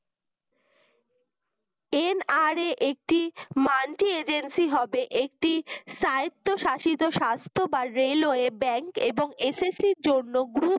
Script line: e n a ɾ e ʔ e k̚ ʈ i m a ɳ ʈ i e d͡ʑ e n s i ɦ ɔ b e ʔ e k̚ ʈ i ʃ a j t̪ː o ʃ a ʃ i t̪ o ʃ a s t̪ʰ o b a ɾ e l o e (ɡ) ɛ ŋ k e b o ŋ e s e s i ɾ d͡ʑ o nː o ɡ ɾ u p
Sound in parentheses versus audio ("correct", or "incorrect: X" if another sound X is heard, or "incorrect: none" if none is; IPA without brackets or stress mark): incorrect: b